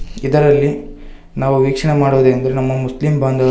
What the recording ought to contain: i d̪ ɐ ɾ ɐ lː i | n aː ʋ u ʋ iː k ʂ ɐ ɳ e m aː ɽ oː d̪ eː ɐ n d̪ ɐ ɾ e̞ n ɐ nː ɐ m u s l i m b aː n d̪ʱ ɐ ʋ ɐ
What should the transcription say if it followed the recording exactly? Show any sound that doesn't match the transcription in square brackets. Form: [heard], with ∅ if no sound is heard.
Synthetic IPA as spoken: i d̪ ɐ ɾ ɐ lː i | n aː ʋ u ʋ iː k ʂ ɐ ɳ e m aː ɽ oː d̪ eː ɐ n d̪ ɐ ɾ e̞ n ɐ [mː] ɐ m u s l i m b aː n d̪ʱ ɐ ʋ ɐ